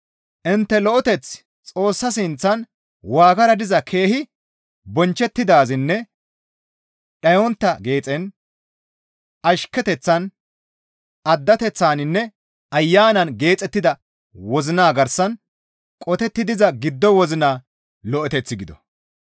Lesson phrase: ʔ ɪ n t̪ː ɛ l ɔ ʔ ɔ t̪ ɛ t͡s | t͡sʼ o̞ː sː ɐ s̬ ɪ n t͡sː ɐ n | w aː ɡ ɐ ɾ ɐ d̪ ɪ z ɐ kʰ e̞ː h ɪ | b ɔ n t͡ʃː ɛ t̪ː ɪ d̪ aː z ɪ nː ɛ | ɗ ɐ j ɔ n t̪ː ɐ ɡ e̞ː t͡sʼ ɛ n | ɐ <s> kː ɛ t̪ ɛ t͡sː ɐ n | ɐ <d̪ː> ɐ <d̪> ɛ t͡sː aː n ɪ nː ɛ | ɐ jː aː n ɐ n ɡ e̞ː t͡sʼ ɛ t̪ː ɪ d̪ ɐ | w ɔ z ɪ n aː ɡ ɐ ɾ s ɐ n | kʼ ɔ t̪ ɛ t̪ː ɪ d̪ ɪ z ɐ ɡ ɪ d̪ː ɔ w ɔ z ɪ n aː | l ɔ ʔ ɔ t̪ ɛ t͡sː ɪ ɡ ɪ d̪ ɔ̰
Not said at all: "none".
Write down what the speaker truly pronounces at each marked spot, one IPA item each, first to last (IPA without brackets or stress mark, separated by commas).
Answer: ʃ, d̪ː, t̪